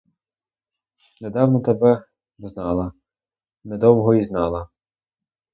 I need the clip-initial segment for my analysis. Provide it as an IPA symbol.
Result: n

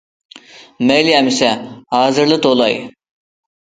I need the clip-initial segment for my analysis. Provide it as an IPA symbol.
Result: m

